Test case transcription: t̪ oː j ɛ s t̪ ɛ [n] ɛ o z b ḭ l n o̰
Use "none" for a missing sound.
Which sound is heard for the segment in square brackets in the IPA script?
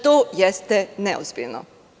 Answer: n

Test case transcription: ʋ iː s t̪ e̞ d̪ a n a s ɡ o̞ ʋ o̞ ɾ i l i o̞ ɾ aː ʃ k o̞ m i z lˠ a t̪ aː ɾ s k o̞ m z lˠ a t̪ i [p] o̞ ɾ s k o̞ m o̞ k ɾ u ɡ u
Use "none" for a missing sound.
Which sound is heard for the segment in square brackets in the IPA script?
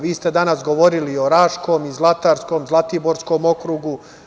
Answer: b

